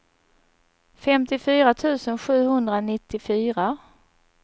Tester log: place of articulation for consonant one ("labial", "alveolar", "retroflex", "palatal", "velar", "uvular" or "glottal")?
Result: labial